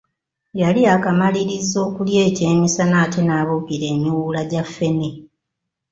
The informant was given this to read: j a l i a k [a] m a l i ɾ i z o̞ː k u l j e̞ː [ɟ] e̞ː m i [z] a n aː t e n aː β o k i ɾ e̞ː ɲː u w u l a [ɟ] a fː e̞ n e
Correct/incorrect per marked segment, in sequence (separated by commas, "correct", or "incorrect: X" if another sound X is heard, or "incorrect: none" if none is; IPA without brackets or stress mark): correct, incorrect: c, incorrect: s, correct